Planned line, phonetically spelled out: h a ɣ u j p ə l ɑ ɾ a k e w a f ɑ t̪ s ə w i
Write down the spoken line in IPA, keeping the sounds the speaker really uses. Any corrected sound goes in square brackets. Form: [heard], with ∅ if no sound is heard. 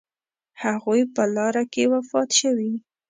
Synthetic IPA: h a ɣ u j p ə l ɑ ɾ a k e w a f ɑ t̪ [ʃ] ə w i